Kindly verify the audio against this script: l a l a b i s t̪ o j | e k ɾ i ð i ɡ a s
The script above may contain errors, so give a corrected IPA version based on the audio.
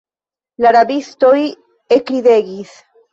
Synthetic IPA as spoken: l a ɾ a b i s t̪ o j | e k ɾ i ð e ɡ i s